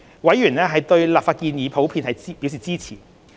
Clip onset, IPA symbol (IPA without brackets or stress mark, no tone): w